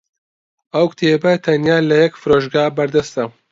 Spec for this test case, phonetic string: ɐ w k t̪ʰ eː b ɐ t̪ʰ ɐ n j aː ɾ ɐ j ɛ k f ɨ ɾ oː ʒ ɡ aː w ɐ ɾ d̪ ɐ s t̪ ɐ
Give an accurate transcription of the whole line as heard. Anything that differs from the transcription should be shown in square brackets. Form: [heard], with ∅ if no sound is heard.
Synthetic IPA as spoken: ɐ w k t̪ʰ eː b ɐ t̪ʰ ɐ n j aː [l] ɐ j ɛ k f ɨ ɾ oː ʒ ɡ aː [b] ɐ ɾ d̪ ɐ s t̪ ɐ